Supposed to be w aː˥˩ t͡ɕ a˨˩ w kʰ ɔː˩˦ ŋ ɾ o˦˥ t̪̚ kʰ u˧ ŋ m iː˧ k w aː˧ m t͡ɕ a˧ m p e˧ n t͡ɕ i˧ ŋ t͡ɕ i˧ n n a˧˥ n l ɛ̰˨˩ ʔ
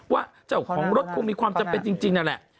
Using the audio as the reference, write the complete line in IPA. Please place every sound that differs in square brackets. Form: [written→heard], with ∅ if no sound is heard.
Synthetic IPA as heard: w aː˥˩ t͡ɕ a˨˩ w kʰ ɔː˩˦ ŋ ɾ o˦˥ t̪̚ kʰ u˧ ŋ m iː˧ k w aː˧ m t͡ɕ a˧ m p e˧ n t͡ɕ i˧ ŋ t͡ɕ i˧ [n→ŋ] n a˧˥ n l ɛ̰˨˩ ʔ